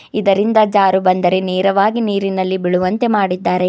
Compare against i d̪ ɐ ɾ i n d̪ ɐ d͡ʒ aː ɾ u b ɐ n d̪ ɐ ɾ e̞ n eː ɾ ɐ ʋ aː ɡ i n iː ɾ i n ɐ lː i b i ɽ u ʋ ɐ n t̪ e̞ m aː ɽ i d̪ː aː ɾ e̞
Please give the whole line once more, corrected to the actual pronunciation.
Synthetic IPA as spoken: i d̪ ɐ ɾ i n d̪ ɐ d͡ʒ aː ɾ u b ɐ n d̪ ɐ ɾ e̞ n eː ɾ ɐ ʋ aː ɡ i n iː ɾ i n ɐ lː i b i ɭ u ʋ ɐ n t̪ e̞ m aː ɽ i d̪ː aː ɾ e̞